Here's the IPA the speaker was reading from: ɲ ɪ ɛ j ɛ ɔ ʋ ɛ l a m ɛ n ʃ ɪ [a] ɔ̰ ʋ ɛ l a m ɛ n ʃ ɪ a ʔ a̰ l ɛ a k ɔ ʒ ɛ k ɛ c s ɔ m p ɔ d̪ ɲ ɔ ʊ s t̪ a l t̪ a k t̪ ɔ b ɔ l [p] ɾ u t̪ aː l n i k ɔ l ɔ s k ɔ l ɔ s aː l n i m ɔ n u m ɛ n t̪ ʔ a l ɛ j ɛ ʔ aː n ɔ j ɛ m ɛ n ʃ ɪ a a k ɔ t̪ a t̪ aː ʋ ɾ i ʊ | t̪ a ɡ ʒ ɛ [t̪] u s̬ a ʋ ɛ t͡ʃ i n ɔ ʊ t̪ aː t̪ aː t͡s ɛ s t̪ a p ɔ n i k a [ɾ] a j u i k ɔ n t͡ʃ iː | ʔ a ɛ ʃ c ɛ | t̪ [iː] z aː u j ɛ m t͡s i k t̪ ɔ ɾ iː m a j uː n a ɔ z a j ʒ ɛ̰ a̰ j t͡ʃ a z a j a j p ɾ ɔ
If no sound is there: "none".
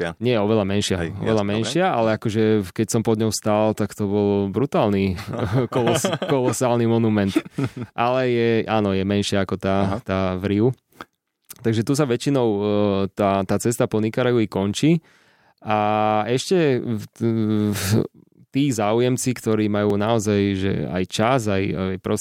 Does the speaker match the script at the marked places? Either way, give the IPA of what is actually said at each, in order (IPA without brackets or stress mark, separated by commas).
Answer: a, b, t̪, ɾ, iː